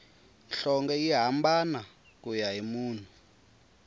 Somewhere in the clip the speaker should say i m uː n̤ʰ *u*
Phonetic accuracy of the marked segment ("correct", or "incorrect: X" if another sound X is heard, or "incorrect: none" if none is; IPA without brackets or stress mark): correct